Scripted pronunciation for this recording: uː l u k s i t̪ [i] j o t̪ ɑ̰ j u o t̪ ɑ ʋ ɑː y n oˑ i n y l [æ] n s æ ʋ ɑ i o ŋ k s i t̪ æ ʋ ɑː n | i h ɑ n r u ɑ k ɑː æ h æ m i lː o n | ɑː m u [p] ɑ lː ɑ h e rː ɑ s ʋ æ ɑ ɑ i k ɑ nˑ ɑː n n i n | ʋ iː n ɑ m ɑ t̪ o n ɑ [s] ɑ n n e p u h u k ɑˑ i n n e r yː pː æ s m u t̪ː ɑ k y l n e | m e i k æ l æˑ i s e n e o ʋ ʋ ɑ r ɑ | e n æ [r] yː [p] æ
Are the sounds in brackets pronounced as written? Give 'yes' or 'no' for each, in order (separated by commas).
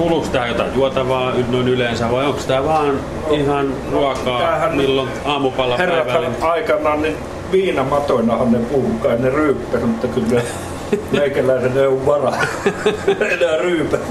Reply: no, no, yes, no, yes, yes